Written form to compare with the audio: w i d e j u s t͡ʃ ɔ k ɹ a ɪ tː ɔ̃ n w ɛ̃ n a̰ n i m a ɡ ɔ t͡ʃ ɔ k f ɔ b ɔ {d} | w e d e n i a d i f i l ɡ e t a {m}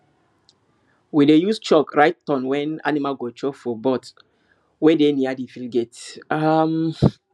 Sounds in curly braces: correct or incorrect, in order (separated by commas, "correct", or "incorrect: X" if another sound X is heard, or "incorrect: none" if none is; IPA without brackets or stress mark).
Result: incorrect: t, correct